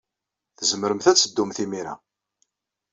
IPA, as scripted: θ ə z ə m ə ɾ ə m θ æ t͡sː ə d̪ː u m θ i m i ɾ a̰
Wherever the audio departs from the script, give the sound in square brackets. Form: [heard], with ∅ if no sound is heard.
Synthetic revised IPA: θ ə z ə m ə ɾ ə m θ æ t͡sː ə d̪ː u m θ i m i ɾ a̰